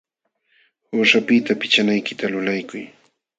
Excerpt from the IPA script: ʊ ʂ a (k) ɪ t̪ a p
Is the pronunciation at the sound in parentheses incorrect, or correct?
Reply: incorrect: p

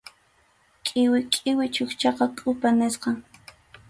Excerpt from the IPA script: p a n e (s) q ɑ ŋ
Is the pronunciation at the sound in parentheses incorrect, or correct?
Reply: correct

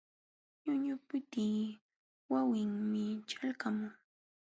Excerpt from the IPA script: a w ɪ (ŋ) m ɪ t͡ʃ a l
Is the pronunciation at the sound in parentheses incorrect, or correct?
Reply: correct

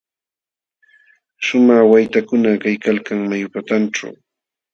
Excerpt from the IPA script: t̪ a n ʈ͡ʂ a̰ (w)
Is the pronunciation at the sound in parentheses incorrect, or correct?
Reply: correct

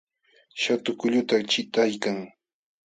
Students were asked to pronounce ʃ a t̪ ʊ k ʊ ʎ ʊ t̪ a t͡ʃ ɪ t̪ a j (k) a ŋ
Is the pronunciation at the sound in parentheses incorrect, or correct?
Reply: correct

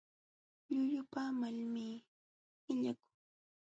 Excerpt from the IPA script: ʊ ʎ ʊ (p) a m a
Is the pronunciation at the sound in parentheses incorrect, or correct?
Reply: correct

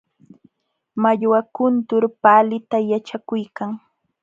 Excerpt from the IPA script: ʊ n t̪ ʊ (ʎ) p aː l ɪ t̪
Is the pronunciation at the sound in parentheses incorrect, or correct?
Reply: incorrect: ɾ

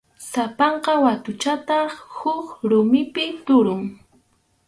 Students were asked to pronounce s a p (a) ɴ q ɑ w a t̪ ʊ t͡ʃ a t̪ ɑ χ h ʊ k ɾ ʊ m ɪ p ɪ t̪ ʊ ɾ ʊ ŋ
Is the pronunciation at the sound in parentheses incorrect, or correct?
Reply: incorrect: ɑ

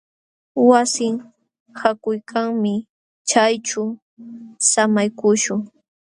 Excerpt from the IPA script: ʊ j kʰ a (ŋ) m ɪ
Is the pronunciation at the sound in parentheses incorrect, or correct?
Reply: correct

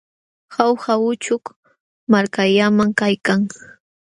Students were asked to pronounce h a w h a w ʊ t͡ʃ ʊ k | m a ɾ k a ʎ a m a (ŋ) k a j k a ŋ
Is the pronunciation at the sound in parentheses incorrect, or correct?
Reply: correct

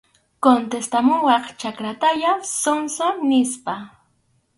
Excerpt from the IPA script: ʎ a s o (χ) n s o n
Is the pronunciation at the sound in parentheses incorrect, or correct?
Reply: incorrect: none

